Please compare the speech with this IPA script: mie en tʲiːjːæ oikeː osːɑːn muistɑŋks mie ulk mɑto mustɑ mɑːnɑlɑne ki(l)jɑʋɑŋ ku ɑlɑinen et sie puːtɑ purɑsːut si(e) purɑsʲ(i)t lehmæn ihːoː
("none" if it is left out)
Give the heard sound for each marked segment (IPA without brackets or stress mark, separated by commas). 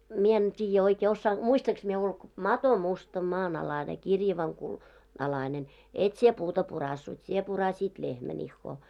r, e, iː